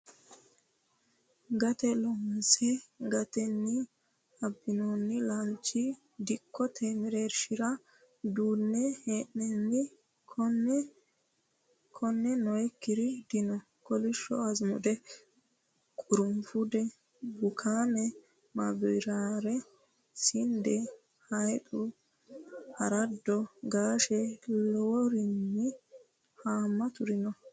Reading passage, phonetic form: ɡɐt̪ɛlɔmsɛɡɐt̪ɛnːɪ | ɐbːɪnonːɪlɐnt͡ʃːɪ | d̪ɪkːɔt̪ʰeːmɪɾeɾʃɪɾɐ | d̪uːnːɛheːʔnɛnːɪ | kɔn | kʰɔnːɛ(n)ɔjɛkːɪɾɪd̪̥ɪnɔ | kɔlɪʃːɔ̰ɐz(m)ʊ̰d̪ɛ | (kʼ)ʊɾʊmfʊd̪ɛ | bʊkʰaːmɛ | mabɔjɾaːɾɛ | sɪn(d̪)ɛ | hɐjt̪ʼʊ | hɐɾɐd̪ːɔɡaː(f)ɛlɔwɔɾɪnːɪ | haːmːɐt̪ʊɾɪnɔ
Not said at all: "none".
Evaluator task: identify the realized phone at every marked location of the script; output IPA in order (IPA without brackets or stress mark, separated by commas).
n, m, kʼ, d̪, ʃ